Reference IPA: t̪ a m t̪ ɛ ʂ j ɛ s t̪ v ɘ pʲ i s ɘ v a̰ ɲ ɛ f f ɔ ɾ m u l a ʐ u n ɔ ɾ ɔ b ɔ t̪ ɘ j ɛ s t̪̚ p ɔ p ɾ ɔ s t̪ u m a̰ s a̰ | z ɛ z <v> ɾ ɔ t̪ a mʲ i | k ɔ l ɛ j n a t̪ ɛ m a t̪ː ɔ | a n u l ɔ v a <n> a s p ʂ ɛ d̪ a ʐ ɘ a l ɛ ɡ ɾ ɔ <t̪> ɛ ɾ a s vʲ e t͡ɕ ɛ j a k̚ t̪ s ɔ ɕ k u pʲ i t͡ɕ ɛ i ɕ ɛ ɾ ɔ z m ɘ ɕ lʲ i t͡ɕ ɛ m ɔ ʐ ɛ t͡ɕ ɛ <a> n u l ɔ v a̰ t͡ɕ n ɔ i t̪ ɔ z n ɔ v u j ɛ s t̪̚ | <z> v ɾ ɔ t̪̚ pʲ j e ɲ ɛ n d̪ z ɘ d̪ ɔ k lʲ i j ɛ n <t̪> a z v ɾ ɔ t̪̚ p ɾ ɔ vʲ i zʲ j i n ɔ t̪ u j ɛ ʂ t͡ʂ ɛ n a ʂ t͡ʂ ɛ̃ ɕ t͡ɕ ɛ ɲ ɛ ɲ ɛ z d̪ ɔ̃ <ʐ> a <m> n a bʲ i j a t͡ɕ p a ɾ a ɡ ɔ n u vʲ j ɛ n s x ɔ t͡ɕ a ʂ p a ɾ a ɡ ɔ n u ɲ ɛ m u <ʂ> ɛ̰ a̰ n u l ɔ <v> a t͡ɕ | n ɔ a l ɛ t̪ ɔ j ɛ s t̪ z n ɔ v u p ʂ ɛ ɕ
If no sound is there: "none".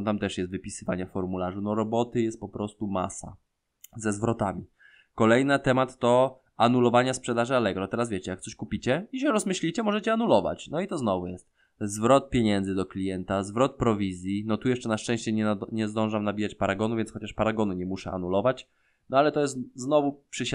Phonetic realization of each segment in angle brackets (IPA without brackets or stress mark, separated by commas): v, ɲ, t̪, a, z, t̪, ʐ, m, ʂ, v